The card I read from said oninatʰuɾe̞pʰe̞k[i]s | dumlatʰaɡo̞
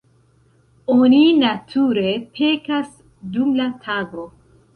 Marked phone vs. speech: incorrect: a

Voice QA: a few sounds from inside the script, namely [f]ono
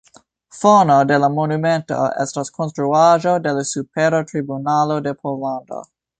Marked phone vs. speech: correct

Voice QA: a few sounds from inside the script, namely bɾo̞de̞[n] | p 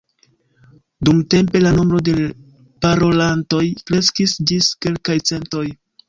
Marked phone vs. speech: incorrect: none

